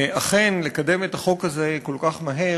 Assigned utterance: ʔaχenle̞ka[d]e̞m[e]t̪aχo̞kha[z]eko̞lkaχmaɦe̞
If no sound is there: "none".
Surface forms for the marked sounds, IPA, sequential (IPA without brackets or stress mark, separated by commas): d, e, z